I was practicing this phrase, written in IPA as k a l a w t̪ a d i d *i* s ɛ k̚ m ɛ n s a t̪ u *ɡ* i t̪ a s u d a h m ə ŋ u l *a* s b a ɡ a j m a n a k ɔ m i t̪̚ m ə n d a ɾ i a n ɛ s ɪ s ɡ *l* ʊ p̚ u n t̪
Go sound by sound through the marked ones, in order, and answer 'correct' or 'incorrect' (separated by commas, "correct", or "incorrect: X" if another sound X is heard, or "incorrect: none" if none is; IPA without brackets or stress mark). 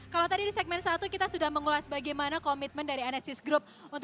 correct, incorrect: k, correct, incorrect: ɾ